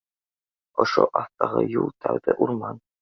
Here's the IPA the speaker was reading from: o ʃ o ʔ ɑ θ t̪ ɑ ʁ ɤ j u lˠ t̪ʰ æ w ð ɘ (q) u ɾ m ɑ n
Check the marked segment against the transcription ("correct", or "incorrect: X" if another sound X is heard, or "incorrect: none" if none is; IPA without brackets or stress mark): incorrect: ʔ